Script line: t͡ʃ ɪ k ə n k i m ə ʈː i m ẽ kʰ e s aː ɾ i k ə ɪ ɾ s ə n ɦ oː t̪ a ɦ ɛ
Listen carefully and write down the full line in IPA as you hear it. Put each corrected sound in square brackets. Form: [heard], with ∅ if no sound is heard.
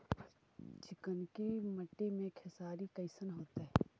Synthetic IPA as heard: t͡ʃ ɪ k ə n k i m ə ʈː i m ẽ kʰ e s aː ɾ i k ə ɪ [∅] s ə n ɦ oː t̪ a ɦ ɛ